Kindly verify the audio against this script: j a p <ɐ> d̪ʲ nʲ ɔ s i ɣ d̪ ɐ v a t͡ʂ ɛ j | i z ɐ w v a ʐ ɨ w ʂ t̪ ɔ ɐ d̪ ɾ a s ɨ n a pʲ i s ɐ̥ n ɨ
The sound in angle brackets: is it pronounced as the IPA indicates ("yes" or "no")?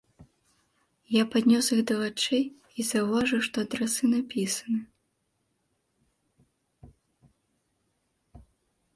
no